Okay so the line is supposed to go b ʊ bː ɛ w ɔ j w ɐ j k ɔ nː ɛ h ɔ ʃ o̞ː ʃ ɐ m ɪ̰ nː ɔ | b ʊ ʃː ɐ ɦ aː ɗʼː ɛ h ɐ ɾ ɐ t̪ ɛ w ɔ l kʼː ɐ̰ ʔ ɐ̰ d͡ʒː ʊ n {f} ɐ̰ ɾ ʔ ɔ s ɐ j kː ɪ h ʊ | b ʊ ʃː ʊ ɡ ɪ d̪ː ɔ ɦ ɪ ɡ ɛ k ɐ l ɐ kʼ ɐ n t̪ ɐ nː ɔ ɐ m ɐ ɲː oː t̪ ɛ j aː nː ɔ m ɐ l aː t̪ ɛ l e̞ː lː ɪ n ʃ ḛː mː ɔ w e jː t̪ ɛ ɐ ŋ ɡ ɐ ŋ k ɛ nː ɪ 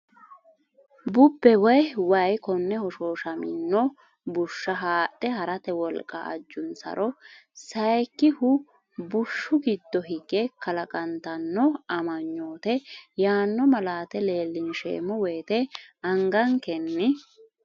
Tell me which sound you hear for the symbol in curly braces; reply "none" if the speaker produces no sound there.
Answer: s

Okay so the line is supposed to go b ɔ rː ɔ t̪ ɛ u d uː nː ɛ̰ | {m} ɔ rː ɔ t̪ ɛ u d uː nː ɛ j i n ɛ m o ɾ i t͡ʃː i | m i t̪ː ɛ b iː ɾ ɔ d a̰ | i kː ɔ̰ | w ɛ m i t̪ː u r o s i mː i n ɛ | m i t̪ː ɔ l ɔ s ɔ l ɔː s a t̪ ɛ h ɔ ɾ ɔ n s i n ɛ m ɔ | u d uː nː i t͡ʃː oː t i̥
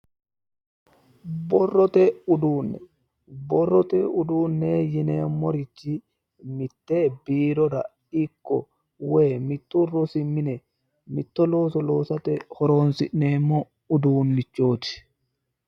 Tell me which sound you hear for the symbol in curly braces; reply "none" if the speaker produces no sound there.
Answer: b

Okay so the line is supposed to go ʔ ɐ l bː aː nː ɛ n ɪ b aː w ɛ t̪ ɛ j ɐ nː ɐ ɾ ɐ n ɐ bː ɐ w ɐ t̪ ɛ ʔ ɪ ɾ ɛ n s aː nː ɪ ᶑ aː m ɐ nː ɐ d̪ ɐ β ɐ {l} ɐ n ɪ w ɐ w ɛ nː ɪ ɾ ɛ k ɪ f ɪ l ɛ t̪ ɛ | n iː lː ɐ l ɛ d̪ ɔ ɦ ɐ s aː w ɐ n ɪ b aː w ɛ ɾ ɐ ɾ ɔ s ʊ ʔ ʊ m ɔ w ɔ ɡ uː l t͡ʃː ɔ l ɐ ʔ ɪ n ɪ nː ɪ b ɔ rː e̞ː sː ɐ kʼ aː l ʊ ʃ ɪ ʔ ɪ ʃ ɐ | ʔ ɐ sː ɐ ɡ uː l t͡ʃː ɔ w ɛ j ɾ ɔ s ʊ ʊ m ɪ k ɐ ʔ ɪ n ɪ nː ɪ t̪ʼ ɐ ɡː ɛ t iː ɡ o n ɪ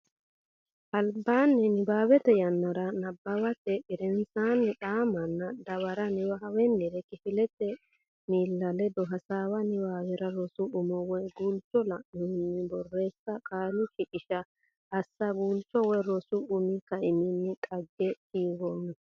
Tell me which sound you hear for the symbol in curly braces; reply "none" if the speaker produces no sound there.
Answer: ɾ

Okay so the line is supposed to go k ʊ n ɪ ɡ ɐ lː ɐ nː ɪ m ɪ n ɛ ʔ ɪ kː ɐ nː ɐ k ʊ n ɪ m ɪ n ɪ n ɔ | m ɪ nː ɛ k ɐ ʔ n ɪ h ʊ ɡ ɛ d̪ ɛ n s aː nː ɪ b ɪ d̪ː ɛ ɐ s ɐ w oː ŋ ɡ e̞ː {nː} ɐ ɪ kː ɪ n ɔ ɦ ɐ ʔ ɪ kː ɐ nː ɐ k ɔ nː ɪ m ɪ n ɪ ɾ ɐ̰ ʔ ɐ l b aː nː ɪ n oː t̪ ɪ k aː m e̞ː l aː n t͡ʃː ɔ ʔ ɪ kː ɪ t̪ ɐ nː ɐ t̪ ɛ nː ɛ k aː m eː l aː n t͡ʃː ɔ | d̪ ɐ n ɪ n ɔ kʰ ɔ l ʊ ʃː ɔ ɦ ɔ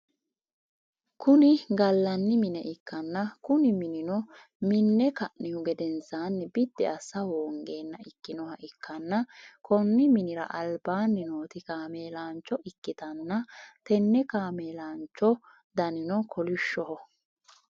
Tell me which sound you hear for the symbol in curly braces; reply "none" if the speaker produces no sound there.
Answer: nː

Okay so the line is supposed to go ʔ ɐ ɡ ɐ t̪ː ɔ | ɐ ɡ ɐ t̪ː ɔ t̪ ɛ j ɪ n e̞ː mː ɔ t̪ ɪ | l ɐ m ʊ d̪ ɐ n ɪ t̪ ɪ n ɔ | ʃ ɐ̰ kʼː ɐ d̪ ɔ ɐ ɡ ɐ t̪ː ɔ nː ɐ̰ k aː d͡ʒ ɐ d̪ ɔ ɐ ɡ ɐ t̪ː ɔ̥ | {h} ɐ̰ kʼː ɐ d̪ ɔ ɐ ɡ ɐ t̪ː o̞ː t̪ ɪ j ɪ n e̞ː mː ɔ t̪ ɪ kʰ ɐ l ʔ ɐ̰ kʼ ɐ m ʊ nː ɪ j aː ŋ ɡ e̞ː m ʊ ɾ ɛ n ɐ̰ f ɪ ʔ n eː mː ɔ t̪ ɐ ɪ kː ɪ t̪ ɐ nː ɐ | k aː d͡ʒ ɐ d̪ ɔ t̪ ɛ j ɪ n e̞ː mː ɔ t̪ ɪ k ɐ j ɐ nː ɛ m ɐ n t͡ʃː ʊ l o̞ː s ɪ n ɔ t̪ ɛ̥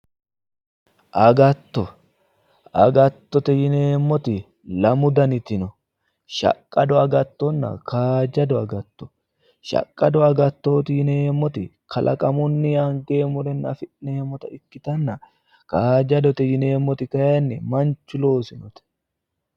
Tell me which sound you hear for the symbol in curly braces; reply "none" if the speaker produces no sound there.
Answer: ʃ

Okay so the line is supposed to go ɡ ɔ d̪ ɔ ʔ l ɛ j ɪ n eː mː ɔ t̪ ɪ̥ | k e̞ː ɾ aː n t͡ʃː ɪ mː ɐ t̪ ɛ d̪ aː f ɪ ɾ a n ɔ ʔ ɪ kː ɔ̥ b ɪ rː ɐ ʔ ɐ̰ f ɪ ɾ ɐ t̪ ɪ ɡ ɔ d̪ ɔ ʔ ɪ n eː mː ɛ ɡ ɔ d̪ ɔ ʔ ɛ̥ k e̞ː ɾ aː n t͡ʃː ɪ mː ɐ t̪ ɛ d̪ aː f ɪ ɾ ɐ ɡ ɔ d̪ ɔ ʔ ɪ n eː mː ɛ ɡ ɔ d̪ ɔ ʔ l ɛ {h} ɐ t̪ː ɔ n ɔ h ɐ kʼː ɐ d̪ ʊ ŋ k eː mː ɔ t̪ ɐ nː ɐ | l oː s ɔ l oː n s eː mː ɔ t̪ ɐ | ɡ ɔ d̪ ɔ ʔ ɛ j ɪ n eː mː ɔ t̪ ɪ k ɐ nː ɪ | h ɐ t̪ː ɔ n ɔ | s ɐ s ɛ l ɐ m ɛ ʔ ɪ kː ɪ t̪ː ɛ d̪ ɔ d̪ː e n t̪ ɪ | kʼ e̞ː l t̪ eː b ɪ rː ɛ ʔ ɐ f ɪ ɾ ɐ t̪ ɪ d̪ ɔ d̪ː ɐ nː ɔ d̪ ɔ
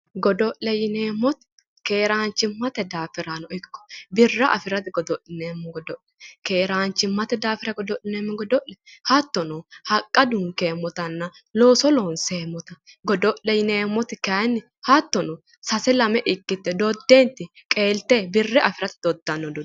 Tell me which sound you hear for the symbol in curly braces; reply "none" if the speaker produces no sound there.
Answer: h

